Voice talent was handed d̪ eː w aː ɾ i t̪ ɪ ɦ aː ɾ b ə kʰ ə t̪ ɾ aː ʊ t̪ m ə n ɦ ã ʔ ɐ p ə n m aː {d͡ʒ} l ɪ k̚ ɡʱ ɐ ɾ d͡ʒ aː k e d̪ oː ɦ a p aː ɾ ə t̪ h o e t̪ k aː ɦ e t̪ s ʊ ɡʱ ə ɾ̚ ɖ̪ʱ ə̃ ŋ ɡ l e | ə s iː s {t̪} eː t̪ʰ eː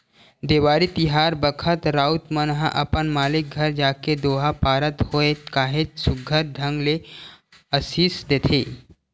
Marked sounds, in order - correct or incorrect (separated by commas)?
incorrect, incorrect